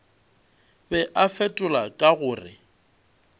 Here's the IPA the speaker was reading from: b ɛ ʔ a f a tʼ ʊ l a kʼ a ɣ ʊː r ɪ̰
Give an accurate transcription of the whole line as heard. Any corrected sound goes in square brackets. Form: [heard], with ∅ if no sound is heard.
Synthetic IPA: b ɛ ʔ a f [ɛ] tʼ ʊ l a kʼ a ɣ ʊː r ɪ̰